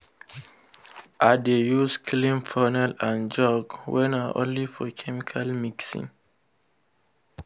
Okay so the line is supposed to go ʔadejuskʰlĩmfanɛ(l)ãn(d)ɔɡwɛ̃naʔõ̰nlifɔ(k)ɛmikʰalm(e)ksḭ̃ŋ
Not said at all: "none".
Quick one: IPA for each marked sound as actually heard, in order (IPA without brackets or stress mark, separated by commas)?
l, d͡ʒ, kʰ, i